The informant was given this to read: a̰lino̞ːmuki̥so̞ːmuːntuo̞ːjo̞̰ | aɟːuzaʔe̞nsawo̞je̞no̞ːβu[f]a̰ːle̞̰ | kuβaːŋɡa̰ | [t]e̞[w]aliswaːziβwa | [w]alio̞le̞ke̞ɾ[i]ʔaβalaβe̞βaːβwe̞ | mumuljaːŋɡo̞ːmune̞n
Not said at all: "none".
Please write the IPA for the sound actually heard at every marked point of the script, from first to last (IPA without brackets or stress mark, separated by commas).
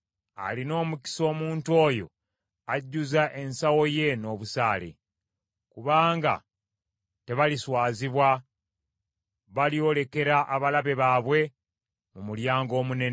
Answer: s, t, β, β, a